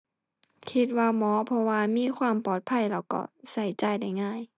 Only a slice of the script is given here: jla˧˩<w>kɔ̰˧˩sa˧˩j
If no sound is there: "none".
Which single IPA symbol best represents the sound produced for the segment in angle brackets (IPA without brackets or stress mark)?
w